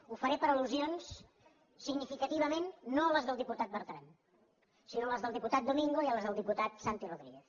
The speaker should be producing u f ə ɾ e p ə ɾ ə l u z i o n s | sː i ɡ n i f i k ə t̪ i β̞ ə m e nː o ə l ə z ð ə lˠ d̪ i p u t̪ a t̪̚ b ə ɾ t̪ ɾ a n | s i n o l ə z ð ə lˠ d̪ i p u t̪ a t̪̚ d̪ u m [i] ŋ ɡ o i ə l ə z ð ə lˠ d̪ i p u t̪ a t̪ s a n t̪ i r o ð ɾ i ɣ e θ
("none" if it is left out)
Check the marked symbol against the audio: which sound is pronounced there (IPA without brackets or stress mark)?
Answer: i